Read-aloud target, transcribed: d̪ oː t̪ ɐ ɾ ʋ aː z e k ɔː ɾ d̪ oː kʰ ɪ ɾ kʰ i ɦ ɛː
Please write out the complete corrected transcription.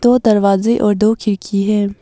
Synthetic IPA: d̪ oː d̪ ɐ ɾ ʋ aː z e ʔ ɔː ɾ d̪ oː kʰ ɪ ɾ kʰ i ɦ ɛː